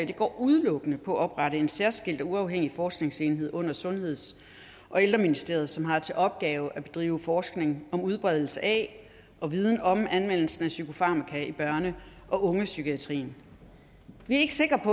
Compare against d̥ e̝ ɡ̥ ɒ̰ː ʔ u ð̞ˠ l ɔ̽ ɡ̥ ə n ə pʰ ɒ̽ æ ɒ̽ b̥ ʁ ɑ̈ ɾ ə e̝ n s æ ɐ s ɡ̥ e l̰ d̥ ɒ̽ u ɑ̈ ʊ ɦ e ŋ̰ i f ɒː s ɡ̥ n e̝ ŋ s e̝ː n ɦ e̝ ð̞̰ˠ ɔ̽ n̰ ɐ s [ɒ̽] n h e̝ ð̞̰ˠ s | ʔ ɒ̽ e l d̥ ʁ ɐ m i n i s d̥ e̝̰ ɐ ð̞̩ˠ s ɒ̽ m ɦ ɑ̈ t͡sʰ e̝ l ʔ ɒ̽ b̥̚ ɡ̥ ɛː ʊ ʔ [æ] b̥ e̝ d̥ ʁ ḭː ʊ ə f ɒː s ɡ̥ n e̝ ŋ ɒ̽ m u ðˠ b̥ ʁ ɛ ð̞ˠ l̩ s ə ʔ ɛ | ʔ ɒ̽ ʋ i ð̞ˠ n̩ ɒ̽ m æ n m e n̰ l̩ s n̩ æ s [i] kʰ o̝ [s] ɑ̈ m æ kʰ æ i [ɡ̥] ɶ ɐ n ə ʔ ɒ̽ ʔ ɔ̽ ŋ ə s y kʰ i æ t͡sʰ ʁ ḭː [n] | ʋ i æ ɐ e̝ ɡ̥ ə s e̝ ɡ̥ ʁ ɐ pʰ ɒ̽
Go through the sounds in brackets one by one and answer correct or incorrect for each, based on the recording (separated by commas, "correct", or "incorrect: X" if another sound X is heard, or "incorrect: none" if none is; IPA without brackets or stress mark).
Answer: incorrect: ɔ̽, correct, incorrect: y, incorrect: f, incorrect: b̥, correct